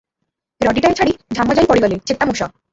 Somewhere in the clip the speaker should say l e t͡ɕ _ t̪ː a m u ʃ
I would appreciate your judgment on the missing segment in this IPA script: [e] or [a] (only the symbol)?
e